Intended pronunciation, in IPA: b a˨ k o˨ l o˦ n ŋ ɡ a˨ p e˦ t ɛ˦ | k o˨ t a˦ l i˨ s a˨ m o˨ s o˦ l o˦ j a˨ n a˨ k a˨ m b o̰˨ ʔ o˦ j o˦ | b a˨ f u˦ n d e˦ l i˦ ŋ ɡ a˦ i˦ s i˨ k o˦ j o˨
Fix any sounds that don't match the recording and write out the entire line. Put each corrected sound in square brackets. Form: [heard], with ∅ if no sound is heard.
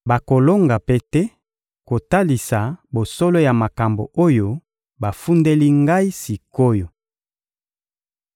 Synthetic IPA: b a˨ k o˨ l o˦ [∅] ŋ ɡ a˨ p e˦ t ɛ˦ | k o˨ t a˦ l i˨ s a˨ [b] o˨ s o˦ l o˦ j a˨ [m] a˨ k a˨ m b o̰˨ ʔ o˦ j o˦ | b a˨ f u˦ n d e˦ l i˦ ŋ ɡ a˦ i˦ s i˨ k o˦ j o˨